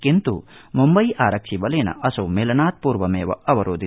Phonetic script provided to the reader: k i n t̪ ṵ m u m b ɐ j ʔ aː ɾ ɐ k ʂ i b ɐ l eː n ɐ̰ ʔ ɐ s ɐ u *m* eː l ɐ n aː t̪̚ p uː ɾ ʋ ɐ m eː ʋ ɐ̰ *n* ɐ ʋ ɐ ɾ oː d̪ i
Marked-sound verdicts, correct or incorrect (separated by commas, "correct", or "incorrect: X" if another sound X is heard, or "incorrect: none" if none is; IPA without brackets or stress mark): correct, incorrect: none